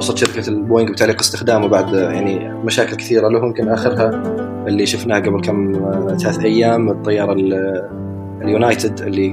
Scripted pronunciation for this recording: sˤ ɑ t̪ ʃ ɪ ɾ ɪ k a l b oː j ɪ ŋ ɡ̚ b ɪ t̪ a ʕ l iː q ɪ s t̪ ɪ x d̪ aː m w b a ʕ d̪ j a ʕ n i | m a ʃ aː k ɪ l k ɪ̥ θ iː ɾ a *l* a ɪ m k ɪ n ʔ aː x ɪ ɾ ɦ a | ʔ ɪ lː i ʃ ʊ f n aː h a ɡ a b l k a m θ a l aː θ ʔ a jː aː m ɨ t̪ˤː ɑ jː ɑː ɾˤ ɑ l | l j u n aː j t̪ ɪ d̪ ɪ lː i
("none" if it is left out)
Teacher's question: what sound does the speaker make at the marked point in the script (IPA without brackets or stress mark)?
l